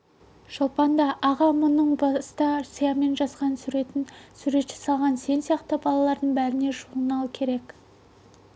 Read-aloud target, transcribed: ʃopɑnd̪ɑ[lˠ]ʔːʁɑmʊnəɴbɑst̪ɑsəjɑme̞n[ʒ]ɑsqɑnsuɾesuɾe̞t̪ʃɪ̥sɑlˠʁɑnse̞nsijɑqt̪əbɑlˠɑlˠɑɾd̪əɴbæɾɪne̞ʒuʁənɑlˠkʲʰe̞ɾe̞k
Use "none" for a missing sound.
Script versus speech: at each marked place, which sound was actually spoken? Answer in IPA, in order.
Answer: none, ʒ

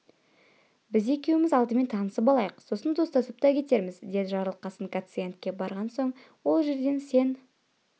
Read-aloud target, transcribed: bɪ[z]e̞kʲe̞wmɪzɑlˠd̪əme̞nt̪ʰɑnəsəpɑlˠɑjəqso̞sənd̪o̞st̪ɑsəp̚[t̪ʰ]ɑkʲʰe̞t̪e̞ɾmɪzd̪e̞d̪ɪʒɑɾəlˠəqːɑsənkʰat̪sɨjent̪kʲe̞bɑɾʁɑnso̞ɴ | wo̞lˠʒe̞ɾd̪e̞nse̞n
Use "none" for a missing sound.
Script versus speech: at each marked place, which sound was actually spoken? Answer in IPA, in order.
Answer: z, t̪

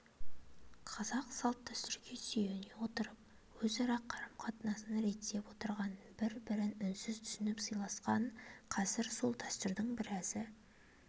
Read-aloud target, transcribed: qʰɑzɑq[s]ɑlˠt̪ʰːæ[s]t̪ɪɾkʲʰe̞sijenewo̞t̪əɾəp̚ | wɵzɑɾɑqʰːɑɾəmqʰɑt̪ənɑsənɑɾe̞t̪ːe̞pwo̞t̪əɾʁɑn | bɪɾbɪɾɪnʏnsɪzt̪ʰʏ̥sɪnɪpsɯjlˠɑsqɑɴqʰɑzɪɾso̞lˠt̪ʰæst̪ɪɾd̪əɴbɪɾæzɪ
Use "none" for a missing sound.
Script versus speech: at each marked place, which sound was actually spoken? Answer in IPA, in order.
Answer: s, s

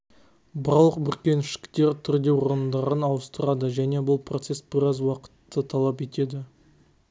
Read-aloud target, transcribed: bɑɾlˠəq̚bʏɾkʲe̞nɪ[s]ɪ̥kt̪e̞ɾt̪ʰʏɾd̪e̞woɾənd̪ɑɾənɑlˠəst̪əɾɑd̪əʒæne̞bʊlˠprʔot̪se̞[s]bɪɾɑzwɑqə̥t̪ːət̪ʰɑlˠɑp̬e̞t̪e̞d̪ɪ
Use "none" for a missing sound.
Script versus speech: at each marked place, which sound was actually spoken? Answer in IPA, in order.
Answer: ʃ, s

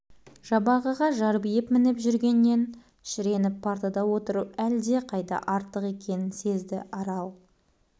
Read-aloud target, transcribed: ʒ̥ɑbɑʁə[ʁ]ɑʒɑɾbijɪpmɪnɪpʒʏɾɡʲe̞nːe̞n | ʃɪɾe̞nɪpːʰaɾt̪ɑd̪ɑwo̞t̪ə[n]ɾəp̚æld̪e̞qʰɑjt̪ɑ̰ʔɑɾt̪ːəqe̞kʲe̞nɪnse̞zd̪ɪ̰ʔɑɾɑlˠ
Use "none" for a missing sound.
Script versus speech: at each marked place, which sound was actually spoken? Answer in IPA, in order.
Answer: ʁ, none

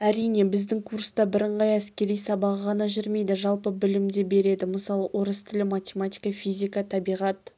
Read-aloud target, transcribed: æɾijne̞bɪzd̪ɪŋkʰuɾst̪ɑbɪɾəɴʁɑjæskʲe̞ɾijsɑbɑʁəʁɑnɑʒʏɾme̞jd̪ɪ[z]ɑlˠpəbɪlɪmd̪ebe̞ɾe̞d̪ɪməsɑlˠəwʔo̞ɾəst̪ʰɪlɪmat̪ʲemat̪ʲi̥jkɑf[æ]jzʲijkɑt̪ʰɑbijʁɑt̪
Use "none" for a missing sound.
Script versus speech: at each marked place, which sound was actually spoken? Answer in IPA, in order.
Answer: ʒ, i

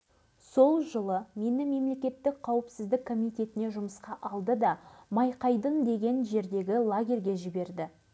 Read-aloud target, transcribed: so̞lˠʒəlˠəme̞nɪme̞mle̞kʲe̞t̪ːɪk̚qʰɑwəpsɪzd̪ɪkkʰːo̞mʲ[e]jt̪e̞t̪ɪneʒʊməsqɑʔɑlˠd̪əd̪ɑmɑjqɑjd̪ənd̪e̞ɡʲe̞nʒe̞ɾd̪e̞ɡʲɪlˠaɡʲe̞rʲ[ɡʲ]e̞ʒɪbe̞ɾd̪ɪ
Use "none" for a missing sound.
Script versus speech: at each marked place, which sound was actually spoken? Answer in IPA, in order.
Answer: i, ɡʲ

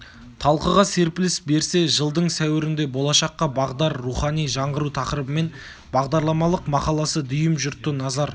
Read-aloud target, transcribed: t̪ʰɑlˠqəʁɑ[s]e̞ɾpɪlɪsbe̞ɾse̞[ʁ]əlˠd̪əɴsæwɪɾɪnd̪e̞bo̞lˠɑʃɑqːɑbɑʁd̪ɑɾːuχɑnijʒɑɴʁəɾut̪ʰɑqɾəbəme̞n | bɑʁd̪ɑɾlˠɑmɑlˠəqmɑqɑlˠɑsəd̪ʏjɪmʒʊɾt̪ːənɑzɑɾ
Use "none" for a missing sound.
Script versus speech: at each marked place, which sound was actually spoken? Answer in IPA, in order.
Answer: s, ʒ

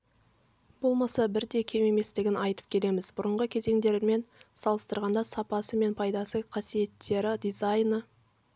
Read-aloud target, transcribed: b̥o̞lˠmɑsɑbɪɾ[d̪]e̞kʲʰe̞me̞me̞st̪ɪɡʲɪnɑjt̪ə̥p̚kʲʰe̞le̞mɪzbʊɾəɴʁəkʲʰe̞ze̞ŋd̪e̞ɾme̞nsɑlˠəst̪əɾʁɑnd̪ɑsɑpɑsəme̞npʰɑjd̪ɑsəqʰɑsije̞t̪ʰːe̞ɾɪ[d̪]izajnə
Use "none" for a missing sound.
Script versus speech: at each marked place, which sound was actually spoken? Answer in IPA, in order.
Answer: d̪, d̪

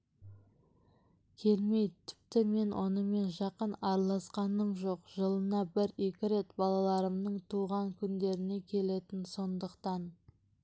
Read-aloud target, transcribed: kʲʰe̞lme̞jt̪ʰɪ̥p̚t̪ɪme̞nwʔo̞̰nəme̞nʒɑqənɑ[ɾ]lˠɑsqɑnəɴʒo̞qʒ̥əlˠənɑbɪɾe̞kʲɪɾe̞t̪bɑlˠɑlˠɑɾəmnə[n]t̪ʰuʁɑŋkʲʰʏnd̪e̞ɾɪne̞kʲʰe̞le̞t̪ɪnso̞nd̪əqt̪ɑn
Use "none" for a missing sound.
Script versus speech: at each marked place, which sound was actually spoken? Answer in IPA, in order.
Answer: ɾ, ɴ

